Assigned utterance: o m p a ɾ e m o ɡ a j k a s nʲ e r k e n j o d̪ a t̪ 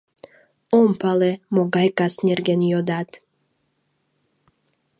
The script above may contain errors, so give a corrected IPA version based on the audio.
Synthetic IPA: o m p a l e m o ɡ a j k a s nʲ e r ɡ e n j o d̪ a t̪